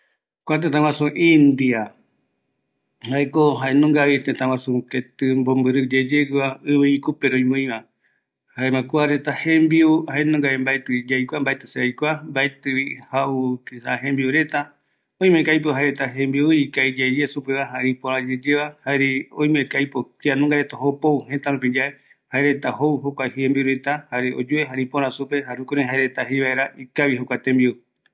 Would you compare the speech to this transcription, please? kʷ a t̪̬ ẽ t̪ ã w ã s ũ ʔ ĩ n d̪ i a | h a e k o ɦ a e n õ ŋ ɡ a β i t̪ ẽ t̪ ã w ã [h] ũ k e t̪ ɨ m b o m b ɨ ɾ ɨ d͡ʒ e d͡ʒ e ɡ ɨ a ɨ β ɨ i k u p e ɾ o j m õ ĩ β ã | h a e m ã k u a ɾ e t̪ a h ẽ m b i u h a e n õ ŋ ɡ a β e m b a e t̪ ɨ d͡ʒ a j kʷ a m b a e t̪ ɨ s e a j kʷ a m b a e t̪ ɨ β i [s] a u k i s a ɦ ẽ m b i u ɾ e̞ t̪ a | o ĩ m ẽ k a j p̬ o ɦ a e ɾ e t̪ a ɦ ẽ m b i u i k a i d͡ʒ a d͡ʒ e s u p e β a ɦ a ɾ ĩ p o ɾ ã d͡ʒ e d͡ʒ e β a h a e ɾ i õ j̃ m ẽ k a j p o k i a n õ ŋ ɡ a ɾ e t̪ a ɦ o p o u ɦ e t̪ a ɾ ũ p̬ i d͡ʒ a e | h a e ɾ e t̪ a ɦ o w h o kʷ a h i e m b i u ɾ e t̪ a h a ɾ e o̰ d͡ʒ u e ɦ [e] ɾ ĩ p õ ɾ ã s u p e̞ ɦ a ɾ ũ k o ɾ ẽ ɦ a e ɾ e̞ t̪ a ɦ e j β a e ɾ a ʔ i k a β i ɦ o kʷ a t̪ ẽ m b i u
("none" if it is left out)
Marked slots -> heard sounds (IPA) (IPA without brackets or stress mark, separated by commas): s, h, a